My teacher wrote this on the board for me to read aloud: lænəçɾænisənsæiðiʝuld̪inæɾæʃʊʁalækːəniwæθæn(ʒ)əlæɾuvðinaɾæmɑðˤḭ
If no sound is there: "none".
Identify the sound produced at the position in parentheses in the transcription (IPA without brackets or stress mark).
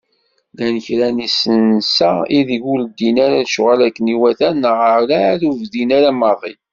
ʁ